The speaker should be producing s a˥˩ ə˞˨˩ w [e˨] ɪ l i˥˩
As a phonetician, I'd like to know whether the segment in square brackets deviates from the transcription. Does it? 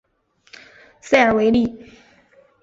yes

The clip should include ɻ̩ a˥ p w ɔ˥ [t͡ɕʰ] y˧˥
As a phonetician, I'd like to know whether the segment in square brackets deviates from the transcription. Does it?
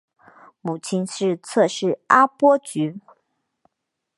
yes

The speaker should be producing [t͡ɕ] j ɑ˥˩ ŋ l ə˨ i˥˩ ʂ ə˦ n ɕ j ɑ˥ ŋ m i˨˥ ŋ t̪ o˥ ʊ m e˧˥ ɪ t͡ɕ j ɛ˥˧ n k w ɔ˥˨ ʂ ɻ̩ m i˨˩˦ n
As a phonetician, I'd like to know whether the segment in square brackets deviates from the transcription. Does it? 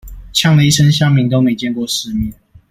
yes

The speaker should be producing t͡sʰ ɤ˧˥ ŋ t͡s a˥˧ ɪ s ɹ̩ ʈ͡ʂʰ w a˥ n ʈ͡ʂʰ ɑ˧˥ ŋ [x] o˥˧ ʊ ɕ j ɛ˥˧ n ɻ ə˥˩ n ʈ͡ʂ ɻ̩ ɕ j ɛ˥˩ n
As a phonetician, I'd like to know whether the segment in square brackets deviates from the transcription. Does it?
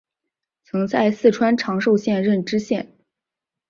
yes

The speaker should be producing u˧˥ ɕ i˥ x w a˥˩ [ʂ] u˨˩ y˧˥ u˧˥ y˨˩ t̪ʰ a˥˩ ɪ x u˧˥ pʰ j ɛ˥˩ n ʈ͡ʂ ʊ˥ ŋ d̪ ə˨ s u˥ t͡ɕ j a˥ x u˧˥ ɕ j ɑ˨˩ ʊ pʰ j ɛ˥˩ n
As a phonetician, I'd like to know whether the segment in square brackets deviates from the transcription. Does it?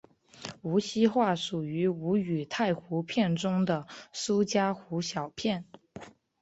no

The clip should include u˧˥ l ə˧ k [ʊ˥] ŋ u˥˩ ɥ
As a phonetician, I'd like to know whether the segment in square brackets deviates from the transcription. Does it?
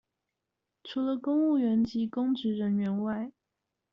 no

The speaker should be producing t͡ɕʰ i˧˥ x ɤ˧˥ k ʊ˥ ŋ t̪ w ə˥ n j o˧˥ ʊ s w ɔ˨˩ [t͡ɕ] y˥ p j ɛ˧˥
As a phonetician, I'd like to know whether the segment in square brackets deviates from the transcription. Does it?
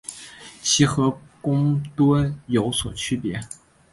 yes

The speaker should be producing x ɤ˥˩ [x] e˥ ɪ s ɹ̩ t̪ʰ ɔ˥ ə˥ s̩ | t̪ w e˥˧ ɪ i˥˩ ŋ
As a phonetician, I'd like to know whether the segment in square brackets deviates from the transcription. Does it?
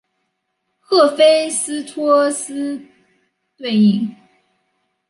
yes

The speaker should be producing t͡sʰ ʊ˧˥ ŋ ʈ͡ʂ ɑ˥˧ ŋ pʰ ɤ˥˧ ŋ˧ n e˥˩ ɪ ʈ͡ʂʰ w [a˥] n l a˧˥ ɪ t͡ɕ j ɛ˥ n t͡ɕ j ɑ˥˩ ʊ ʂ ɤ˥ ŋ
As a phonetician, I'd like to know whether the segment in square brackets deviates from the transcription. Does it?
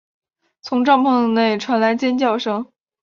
yes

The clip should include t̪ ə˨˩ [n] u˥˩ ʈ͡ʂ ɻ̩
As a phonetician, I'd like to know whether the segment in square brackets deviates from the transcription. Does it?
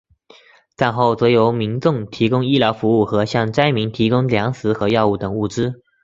yes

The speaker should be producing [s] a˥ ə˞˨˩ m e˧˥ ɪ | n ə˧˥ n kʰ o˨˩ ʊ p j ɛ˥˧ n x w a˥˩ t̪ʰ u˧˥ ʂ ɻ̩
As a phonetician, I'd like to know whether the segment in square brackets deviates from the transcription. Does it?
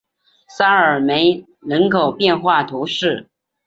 no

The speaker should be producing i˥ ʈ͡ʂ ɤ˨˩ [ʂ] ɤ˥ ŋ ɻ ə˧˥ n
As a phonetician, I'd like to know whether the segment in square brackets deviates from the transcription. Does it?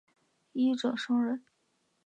no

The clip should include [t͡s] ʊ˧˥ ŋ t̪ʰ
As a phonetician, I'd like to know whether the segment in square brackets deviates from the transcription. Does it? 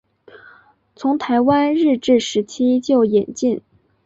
yes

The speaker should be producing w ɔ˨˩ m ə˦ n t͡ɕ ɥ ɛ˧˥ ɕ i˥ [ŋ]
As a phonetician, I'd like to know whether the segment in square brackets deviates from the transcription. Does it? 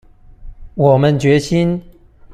yes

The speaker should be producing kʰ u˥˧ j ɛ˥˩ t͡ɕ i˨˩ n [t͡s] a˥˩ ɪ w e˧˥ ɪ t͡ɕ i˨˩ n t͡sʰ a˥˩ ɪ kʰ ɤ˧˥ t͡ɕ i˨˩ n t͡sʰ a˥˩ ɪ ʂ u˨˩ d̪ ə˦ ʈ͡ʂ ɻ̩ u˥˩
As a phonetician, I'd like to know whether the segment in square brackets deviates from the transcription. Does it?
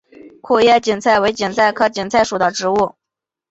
yes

